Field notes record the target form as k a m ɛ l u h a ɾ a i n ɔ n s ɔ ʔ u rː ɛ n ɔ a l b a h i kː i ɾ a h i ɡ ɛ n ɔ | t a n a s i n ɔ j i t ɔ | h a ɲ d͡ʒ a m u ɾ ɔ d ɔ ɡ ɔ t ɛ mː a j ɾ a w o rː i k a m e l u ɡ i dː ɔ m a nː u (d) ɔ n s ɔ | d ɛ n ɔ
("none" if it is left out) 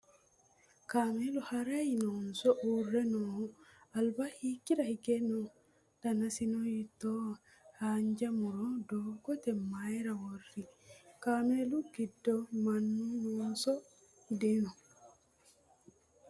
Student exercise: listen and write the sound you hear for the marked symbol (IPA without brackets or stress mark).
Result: n